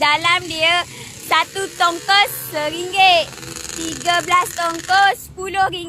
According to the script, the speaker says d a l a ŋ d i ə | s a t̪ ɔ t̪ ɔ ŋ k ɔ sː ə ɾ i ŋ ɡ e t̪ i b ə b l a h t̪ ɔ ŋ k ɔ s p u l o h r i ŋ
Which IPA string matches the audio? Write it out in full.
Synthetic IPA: d a l a m d i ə | s a t̪ u t̪ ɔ ŋ k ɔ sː ə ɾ i ŋ ɡ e t̪ i ɡ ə b l a s t̪ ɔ ŋ k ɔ s p u l o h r i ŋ